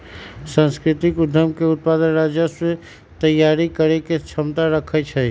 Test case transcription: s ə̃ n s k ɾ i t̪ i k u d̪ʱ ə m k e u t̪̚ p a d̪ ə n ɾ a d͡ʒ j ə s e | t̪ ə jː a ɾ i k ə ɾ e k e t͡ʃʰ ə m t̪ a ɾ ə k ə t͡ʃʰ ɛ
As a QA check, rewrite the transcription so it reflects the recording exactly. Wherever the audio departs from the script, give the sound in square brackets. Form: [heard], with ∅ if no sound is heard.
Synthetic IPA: s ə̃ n s k ɾ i t̪ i k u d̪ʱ ə m k e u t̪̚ p a d̪ ə n ɾ a d͡ʒ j ə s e | t̪ ə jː a ɾ i k ə ɾ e k e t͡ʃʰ ə m t̪ a ɾ ə [kʰ] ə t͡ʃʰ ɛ